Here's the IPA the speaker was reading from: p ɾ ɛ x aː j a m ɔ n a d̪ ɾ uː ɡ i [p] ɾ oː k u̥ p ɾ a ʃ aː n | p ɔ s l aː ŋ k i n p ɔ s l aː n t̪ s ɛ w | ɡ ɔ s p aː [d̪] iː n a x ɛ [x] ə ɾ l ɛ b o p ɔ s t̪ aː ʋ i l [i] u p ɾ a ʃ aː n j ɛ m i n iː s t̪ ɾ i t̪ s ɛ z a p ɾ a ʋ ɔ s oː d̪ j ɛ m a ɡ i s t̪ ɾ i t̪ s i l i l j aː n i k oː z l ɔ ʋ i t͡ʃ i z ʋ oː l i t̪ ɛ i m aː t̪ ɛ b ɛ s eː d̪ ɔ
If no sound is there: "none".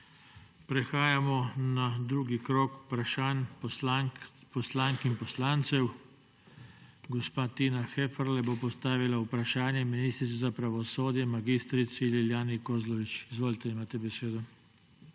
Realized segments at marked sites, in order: k, t̪, f, a

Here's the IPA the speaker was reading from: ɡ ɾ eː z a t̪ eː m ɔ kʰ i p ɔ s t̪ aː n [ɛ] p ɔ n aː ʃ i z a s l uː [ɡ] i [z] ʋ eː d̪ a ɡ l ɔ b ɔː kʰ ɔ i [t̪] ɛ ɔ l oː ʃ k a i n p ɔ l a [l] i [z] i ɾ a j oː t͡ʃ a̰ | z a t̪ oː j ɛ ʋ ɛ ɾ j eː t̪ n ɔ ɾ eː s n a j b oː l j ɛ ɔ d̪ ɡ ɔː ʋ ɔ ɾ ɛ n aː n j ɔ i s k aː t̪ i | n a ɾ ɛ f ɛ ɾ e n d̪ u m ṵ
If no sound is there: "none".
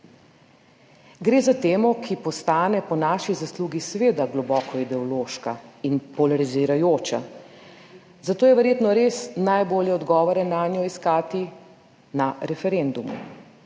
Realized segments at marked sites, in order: ɛ, ɡ, s, d̪, ɾ, z

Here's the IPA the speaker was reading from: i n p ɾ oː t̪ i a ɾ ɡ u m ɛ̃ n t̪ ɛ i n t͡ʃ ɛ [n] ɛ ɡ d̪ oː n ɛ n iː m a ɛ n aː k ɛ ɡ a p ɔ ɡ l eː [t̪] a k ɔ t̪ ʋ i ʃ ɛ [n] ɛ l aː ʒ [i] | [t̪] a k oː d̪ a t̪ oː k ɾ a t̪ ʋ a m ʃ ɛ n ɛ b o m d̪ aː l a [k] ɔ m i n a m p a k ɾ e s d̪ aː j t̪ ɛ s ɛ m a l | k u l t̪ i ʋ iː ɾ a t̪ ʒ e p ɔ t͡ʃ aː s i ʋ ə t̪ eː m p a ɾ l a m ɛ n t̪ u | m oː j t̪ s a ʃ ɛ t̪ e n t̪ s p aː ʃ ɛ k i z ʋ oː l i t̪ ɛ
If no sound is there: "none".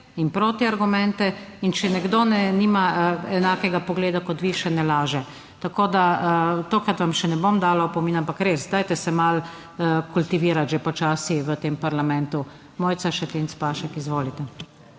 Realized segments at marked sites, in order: n, d̪, n, ɛ, t̪, p

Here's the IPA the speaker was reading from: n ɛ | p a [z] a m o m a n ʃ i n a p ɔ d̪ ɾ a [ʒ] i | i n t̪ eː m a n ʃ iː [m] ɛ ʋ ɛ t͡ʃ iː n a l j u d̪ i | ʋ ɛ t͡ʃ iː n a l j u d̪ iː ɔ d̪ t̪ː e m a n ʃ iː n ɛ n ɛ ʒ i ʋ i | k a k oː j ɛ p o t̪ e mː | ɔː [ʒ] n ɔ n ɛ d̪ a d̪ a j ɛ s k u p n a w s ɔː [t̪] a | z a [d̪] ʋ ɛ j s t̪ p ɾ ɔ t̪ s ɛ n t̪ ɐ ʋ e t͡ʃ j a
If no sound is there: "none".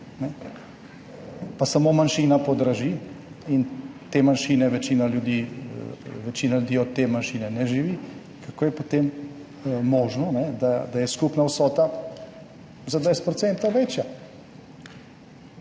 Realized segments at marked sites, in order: s, ʒ, n, ʒ, t̪, d̪

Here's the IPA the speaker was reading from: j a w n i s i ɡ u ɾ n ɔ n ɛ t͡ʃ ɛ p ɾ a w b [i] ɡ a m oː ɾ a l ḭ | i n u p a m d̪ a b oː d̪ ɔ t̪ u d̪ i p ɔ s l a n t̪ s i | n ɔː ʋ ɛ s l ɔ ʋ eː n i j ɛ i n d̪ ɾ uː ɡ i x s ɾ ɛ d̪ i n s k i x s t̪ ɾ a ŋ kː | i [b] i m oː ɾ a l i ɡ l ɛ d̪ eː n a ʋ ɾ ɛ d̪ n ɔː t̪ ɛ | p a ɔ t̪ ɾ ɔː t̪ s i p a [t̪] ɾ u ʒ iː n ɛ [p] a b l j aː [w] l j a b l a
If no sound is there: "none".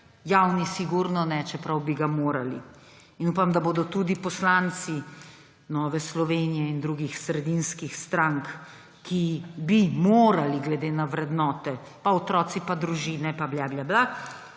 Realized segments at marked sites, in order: i, b, d̪, p, b

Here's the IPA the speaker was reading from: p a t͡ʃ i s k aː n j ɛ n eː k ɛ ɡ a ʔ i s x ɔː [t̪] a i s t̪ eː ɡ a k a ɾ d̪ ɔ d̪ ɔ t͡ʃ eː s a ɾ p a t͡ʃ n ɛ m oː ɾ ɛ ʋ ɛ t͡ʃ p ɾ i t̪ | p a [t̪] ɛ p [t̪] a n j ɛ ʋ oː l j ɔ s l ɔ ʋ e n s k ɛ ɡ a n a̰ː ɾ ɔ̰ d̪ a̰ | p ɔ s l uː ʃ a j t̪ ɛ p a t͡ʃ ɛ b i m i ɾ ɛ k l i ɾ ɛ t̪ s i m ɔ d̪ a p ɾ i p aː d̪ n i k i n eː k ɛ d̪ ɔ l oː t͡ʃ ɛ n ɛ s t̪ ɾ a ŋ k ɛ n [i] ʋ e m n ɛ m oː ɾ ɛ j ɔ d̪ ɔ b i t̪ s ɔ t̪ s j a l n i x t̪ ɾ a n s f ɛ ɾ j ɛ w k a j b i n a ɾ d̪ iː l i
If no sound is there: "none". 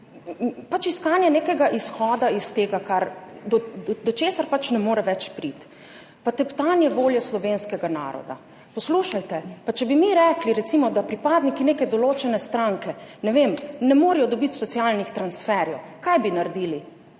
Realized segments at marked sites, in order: d̪, t̪, t̪, ɛ

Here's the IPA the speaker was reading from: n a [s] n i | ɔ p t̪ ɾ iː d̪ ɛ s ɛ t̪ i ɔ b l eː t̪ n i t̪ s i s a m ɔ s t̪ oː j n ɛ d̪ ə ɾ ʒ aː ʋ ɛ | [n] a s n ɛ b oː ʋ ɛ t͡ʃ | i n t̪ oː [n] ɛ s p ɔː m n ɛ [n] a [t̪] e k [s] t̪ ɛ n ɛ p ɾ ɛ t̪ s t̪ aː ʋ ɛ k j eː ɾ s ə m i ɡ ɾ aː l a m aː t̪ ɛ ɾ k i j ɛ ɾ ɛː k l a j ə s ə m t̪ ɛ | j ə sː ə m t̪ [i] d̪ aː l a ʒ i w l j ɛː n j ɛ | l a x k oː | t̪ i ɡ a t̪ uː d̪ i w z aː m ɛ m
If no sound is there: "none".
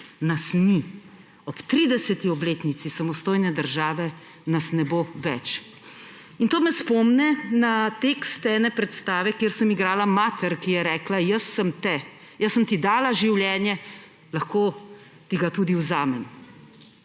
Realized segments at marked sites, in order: s, n, m, n, t̪, s, i

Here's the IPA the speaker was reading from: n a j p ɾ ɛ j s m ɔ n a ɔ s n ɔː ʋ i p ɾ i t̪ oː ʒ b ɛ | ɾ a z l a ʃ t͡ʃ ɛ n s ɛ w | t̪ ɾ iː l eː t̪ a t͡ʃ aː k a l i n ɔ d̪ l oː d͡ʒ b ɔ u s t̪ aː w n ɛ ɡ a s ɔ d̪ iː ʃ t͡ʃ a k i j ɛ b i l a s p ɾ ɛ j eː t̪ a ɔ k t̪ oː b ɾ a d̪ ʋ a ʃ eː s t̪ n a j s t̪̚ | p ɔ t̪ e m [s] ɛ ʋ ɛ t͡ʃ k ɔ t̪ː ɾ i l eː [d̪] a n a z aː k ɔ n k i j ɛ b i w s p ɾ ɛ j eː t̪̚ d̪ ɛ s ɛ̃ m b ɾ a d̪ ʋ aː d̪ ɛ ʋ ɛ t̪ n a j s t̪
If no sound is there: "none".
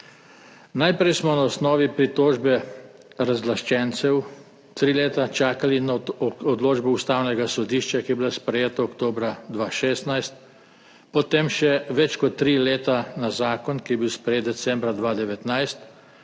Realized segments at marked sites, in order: ʃ, t̪

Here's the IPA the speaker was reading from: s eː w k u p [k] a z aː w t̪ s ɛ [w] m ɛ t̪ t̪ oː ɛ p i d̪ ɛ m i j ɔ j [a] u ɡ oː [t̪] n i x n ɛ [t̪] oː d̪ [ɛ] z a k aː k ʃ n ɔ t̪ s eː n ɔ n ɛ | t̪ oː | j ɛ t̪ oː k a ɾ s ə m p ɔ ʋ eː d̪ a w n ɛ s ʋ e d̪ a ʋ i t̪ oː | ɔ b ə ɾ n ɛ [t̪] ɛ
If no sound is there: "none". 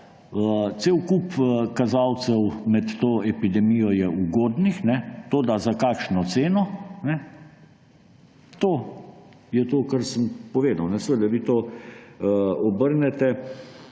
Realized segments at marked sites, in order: k, w, ɛ, d̪, t̪, a, t̪

